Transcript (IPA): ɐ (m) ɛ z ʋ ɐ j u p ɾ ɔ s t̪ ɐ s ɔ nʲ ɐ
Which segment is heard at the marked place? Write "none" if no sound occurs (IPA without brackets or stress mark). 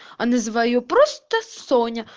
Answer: n